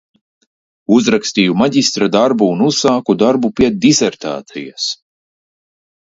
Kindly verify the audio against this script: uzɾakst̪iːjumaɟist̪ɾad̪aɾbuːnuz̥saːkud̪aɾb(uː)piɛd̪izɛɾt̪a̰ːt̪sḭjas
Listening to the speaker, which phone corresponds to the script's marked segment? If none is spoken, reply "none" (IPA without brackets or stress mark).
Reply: u